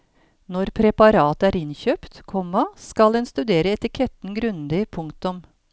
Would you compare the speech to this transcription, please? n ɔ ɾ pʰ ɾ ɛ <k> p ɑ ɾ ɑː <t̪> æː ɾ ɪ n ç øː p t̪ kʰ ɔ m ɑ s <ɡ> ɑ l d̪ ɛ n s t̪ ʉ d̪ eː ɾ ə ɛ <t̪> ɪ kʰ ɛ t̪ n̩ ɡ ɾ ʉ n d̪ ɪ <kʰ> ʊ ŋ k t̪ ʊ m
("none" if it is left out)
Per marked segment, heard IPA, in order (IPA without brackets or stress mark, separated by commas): none, t̪, k, t̪, pʰ